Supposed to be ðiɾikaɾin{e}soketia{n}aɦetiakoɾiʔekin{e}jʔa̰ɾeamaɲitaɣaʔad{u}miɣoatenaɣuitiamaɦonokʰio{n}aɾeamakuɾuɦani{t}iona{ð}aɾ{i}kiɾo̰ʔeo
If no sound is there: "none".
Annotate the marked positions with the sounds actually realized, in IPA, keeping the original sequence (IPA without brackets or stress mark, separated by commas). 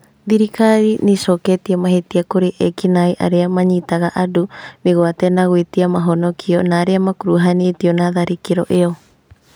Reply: i, m, a, u, n, t, ð, i